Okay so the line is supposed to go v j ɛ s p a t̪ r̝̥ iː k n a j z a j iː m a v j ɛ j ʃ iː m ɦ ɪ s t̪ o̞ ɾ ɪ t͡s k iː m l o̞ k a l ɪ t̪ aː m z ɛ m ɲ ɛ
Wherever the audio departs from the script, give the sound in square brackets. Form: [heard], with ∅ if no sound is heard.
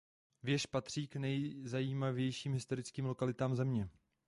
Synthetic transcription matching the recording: v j ɛ [ʃ] p a t̪ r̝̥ iː k n [ɛ] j z a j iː m a v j ɛ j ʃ iː m ɦ ɪ s t̪ o̞ ɾ ɪ t͡s k iː m l o̞ k a l ɪ t̪ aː m z ɛ m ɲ ɛ